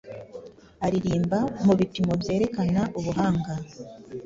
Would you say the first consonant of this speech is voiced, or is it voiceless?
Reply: voiced